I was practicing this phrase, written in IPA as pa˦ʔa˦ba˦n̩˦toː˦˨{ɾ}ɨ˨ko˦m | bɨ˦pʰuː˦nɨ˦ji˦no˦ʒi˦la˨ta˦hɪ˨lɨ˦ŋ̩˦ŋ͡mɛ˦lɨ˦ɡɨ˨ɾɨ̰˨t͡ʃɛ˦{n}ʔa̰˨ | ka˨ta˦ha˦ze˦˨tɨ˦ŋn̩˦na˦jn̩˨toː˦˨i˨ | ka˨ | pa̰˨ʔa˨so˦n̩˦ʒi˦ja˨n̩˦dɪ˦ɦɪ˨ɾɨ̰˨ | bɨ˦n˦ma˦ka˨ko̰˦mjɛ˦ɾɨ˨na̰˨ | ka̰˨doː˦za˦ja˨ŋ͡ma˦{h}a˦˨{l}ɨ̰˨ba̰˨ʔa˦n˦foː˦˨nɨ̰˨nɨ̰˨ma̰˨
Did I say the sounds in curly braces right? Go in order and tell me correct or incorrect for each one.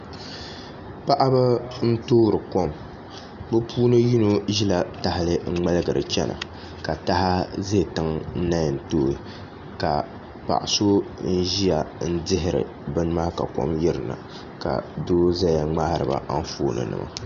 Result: correct, correct, correct, incorrect: ɾ

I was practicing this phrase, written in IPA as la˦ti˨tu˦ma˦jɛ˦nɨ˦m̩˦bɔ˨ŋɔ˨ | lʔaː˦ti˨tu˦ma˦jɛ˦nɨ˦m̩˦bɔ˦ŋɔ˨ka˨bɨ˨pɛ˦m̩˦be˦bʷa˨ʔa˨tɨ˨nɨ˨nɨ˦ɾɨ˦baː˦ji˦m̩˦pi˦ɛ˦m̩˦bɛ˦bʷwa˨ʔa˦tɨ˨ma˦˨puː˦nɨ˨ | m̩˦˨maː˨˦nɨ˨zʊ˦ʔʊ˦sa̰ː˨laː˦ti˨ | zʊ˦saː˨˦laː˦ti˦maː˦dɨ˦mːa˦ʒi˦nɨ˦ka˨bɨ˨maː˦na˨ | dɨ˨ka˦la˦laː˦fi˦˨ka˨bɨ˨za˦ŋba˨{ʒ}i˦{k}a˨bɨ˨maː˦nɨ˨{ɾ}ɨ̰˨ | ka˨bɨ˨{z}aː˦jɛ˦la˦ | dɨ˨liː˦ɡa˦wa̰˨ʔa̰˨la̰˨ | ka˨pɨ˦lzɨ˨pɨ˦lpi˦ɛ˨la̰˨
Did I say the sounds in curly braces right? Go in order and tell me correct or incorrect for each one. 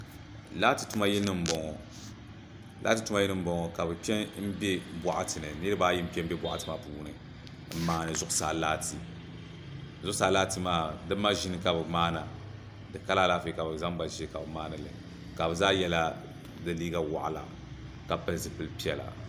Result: correct, correct, incorrect: l, correct

